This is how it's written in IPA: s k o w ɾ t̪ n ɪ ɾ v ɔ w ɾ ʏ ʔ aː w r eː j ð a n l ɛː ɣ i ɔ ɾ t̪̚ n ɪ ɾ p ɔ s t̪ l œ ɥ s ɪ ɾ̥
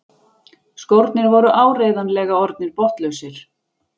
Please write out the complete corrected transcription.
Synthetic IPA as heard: s k o w ɾ t̪ n ɪ ɾ v ɔ ɾ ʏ ʔ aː w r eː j ð a n l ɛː ɣ a ɔ ɾ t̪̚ n ɪ ɾ p ɔ h t̪ l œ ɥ s ɪ ɾ̥